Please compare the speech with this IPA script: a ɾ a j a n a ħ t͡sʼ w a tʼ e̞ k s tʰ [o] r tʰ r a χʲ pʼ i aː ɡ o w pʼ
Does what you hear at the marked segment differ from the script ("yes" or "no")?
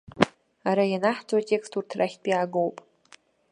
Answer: yes